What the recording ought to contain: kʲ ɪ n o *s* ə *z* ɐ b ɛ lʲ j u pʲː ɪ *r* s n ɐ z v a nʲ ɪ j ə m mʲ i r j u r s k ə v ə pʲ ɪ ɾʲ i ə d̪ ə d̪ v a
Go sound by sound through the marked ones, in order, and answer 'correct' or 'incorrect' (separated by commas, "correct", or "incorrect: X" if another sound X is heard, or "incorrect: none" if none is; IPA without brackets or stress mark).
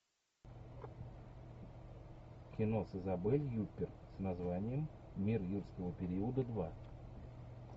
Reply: correct, correct, correct